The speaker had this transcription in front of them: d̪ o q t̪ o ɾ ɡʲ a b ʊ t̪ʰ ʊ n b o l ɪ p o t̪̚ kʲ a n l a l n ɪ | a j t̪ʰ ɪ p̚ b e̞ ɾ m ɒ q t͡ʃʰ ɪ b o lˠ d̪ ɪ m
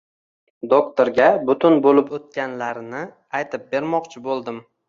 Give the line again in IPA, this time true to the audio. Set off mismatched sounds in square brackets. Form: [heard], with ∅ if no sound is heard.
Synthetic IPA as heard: d̪ o [k] t̪ o ɾ ɡʲ a b ʊ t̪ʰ ʊ n b o l ɪ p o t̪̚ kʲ a n l a [ɾ] n ɪ | a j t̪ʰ ɪ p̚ b e̞ ɾ m ɒ q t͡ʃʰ ɪ b o lˠ d̪ ɪ m